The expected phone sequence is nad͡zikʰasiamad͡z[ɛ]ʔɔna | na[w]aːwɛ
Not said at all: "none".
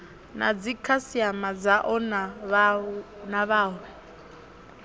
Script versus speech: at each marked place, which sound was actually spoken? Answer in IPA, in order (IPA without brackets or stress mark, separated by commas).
a, β